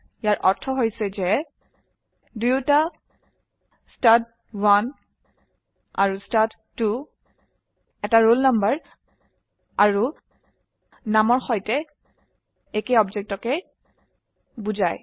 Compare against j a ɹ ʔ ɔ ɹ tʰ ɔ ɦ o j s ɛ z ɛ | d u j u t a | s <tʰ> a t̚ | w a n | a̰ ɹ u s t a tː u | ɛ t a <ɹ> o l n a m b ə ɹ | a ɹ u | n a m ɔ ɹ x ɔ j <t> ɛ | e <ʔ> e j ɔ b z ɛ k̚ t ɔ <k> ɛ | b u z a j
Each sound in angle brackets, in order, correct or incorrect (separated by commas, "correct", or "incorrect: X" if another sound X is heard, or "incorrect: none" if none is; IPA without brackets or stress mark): incorrect: t, correct, correct, incorrect: k, correct